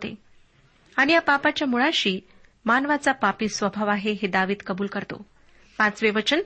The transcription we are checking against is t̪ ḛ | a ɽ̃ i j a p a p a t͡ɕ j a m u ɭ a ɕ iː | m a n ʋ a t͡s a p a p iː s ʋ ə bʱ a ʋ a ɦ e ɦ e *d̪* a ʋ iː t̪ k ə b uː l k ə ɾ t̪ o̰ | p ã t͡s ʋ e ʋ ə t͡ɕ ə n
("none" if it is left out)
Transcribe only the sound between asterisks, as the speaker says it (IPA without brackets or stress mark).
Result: d̪